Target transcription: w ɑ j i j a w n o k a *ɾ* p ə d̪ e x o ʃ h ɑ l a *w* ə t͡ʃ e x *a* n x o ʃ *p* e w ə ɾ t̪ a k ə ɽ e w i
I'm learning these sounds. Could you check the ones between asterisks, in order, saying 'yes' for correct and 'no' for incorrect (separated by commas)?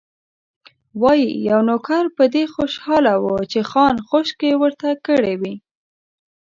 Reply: yes, yes, no, no